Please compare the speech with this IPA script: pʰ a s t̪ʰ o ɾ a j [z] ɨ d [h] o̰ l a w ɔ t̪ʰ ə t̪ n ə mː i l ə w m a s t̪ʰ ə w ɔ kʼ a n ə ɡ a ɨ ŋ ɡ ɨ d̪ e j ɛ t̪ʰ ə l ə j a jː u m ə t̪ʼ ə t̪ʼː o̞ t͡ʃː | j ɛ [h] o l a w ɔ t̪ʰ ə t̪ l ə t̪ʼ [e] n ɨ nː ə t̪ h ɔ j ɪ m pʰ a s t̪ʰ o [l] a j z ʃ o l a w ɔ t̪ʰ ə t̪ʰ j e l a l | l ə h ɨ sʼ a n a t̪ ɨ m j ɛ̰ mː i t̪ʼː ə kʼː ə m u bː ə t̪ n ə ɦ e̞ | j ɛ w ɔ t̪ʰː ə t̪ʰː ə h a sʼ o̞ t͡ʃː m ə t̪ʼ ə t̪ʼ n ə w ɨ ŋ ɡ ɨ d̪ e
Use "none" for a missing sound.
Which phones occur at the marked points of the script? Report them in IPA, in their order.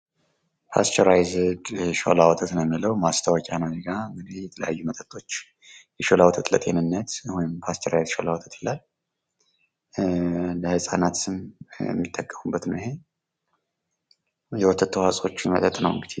z, ʃ, ʃ, e, ɾ

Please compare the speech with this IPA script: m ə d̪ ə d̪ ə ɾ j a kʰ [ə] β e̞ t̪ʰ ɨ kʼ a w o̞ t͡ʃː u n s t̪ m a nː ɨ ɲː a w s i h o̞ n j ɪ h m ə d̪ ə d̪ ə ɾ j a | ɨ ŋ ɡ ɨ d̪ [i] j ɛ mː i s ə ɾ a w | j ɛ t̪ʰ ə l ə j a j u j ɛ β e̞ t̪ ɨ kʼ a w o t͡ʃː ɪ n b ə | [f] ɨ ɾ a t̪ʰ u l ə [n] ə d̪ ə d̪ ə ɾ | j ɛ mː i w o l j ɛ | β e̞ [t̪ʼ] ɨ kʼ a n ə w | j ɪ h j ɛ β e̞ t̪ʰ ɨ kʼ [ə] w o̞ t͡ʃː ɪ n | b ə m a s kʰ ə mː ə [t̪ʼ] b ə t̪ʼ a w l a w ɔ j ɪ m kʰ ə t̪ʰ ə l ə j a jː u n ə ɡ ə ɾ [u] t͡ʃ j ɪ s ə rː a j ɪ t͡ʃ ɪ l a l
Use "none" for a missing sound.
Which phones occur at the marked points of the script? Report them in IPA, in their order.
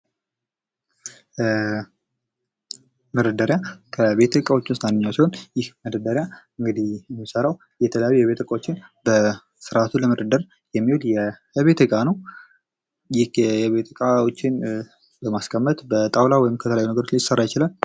ə, i, s, m, t̪, a, t̪, o

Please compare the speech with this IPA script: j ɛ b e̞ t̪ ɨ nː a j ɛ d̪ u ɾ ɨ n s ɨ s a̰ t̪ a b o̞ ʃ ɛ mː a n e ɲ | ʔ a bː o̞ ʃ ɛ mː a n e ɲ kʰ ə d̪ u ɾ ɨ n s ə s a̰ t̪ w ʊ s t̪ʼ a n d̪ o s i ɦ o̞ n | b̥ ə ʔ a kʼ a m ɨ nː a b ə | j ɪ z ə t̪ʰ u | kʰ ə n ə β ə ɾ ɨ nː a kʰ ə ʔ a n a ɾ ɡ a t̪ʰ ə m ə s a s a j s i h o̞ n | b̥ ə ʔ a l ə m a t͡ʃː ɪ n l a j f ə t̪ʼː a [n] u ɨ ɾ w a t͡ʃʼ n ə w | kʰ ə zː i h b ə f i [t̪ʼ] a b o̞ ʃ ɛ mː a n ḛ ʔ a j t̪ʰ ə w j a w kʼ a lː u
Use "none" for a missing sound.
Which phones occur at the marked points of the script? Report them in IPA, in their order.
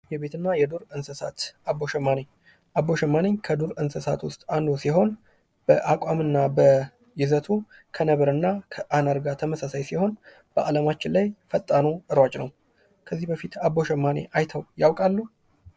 n, t̪

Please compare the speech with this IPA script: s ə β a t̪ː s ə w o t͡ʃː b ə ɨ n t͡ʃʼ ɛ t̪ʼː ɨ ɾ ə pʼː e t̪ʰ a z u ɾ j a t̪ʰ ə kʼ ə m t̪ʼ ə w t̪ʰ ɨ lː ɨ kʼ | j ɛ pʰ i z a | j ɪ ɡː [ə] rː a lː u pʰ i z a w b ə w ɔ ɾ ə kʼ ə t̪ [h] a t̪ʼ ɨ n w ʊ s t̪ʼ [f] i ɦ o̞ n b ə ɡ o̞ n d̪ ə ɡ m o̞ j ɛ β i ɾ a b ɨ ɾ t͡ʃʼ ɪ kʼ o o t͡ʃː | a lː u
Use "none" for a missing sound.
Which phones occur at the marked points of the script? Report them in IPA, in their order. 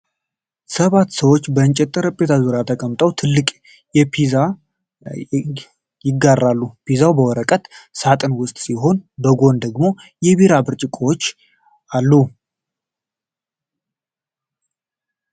a, s, s

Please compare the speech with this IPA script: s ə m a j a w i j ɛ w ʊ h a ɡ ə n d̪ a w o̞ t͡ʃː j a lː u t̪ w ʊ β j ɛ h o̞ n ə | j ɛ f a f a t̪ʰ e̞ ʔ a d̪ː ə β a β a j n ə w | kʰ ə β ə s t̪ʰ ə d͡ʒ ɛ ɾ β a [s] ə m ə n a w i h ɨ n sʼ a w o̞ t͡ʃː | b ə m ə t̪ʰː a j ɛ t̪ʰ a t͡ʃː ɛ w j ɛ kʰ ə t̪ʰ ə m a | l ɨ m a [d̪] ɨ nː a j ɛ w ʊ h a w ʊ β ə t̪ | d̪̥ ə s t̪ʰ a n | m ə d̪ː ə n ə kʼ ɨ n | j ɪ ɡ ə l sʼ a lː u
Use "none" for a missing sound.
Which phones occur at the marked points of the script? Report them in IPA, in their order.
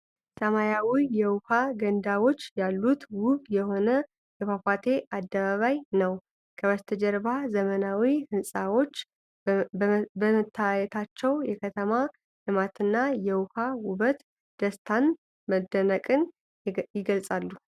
z, t̪

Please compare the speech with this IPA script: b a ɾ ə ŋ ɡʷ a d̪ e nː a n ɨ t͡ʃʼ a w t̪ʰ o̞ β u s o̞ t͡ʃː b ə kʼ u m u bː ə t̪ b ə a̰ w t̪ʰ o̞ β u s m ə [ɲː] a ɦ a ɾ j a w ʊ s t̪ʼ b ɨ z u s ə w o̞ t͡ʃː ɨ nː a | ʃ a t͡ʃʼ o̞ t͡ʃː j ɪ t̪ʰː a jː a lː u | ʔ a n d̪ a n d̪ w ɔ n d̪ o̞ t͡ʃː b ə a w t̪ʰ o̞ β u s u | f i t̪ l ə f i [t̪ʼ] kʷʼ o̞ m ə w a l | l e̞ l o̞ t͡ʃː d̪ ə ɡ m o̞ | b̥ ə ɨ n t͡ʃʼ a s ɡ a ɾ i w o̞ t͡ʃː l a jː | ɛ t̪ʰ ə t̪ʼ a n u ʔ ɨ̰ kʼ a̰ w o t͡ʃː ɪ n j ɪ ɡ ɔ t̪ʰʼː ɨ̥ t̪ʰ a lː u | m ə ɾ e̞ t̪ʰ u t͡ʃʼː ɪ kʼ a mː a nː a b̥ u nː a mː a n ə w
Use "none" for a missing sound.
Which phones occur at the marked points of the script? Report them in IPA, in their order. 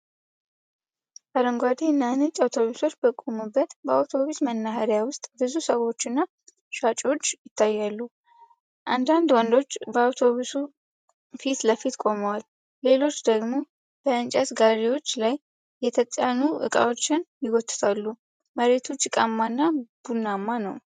nː, t̪

